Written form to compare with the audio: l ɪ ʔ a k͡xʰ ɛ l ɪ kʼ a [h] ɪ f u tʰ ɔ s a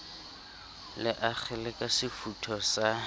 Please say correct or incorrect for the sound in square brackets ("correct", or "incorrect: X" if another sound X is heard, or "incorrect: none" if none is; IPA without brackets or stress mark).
incorrect: s